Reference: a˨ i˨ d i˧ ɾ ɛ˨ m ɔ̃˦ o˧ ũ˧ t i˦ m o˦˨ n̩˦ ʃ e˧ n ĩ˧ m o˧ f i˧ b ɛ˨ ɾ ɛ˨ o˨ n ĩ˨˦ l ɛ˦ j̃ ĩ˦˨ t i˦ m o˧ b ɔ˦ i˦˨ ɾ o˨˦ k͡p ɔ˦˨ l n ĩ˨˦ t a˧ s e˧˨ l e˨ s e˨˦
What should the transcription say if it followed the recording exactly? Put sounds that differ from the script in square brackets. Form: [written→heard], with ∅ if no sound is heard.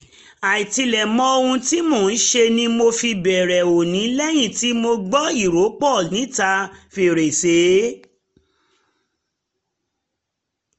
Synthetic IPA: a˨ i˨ [d→t] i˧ [ɾ→l] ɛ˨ m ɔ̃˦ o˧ ũ˧ t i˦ m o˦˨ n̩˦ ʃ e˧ n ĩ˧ m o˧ f i˧ b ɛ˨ ɾ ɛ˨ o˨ n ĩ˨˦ l ɛ˦ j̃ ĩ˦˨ t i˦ m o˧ [b→ɡ͡b] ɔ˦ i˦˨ ɾ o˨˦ k͡p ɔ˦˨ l n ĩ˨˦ t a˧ [s→f] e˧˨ [l→ɾ] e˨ s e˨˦